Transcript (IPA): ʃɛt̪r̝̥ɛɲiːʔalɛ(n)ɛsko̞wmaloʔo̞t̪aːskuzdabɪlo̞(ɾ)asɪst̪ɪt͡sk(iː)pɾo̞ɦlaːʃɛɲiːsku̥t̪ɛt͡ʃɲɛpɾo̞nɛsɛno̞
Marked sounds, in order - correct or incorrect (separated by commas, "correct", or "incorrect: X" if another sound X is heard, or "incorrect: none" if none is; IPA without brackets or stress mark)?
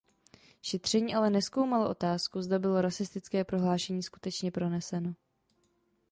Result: correct, correct, incorrect: ɛː